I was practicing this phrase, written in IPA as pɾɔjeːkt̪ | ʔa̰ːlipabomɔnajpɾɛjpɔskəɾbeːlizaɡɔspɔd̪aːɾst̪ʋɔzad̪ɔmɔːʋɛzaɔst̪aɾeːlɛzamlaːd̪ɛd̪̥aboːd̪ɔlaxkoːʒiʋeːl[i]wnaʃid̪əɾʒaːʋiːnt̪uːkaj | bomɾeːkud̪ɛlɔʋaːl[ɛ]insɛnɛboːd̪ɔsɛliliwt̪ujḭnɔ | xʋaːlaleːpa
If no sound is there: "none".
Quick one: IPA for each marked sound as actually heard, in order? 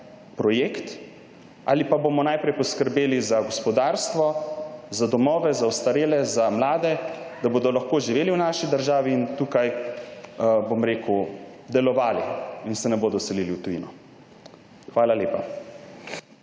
i, i

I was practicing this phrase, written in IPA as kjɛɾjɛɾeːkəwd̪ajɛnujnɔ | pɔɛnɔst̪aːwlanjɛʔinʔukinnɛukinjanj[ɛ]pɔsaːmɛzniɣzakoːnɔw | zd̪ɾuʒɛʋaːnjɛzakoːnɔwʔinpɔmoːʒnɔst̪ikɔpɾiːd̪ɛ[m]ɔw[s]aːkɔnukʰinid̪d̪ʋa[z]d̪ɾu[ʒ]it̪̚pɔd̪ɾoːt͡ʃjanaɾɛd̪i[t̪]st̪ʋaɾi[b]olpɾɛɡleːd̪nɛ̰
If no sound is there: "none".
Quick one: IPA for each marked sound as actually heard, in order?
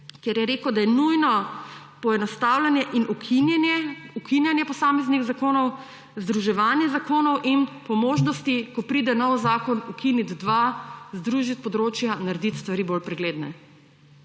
ɛ, n, z, z, ʒ, t̪, b

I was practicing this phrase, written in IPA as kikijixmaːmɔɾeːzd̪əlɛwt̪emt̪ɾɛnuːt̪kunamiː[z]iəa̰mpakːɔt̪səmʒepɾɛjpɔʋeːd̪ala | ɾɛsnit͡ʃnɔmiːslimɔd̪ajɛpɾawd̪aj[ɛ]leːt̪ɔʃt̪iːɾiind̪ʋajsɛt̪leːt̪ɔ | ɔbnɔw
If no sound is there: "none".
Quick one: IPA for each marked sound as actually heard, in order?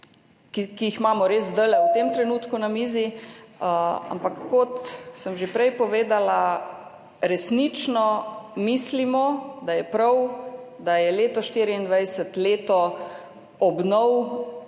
z, ɛ

